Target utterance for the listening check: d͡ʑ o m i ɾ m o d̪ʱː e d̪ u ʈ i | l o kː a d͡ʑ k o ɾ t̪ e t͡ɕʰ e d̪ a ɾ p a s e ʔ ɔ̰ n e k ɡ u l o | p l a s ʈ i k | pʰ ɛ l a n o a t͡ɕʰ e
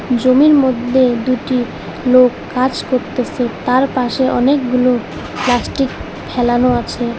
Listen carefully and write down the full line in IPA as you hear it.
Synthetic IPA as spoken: d͡ʑ o m i ɾ m o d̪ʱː e d̪ u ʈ i | l o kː a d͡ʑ k o ɾ t̪ e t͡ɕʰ e t̪ a ɾ p a ʃ e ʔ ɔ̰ n e k ɡ u l o | p l a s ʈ i k | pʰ ɛ l a n o a t͡ɕʰ e